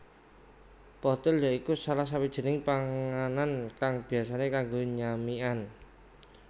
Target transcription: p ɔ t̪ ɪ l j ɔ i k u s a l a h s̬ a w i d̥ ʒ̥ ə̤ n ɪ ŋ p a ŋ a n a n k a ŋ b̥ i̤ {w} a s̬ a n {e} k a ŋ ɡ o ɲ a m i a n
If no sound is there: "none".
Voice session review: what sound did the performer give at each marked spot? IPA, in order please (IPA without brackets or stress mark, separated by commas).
none, e